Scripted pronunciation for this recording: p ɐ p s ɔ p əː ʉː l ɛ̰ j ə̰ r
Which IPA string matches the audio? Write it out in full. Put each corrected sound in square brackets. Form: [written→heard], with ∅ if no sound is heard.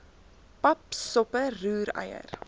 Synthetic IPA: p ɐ p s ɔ p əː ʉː [l→ɾ] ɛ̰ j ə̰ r

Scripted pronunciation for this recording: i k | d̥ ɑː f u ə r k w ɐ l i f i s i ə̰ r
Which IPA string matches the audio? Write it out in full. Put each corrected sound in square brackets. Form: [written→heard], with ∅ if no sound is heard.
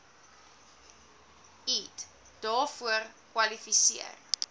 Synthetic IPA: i [k→t] | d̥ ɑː f u ə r k w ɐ l i f i s i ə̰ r

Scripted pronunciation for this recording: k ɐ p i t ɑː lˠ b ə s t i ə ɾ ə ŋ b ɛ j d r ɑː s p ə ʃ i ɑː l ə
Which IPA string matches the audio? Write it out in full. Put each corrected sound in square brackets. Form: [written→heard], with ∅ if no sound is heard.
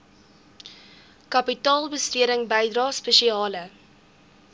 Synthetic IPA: k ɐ p i t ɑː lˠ b ə s t [i→y] ə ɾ ə ŋ b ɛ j d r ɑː s p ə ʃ i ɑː l ə

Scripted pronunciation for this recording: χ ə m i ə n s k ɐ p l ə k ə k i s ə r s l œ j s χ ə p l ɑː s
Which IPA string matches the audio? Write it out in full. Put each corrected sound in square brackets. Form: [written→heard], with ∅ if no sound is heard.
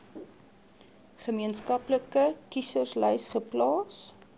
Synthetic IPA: χ ə m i ə n s k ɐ p l ə k ə k i s ə r s l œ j s χ ə p l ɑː s

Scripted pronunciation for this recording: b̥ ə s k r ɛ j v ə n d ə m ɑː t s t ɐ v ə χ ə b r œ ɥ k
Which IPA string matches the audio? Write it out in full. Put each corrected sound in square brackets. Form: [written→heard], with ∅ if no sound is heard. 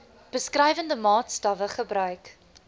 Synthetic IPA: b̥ ə s k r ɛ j v ə n d ə m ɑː t s t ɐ v ə χ ə b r œ ɥ k

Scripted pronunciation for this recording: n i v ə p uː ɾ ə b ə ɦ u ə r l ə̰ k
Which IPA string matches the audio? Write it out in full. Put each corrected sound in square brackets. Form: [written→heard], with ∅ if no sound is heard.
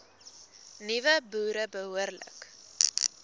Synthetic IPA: n i v ə [p→b] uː ɾ ə b ə ɦ u ə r l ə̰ k

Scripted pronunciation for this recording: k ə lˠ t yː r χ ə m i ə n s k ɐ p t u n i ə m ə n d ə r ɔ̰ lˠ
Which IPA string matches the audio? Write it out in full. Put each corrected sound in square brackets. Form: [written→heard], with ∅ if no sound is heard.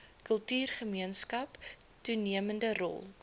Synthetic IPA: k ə lˠ t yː r χ ə m i ə n s k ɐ p t u n i ə m ə n d ə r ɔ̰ lˠ

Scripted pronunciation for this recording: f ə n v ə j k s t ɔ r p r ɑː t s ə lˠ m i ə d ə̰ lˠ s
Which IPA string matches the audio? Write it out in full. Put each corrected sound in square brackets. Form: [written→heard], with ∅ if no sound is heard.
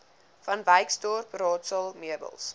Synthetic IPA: f [ə→ɐ] n v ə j k s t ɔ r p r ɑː t s ə lˠ m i ə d ə̰ lˠ s

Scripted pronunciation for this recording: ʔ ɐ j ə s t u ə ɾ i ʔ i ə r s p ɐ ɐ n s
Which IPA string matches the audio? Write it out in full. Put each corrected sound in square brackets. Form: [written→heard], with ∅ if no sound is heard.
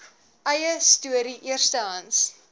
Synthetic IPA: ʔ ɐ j ə s t u ə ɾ i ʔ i ə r s [p→t] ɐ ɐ n s

